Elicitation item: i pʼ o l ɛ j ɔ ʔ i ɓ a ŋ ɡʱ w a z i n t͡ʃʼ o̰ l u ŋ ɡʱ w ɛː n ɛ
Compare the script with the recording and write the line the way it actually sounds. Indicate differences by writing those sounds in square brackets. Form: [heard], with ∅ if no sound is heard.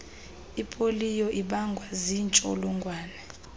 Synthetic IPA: i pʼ o l [i] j ɔ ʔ i ɓ a ŋ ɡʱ w a z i n t͡ʃʼ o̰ l u ŋ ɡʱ w [aː] n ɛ